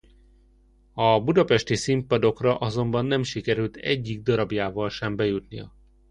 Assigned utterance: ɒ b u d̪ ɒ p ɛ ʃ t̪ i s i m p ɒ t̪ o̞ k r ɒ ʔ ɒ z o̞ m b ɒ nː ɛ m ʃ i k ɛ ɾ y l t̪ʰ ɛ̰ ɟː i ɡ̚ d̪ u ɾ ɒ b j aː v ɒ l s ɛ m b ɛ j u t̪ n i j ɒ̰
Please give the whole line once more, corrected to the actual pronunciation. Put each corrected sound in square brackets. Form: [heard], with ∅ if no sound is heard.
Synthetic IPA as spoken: ɒ b u d̪ ɒ p ɛ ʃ t̪ i s i m p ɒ [d̪] o̞ k r ɒ ʔ ɒ z o̞ m b ɒ nː ɛ m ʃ i k ɛ ɾ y l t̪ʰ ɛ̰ ɟː i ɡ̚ d̪ [ɒ] ɾ ɒ b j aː v ɒ l [ʃ] ɛ m b ɛ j u t̪ n i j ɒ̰